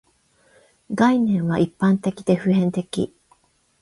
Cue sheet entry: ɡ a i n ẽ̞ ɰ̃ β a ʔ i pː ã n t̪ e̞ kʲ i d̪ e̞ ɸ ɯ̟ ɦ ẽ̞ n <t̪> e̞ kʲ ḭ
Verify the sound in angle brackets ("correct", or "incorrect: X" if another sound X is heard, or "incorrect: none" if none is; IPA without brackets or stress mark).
correct